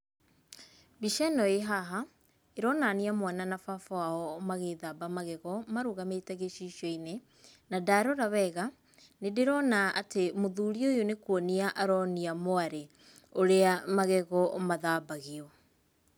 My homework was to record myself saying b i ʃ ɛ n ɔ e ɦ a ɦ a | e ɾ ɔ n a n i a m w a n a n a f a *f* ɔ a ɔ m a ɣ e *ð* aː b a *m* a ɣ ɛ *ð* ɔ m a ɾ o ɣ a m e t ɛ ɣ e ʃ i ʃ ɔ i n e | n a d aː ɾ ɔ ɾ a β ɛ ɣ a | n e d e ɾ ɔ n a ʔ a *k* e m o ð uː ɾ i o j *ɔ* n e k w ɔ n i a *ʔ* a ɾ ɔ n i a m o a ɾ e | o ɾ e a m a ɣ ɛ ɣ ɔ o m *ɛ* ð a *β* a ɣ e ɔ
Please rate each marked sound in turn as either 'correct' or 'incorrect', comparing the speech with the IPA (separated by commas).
correct, correct, correct, incorrect, incorrect, incorrect, correct, incorrect, incorrect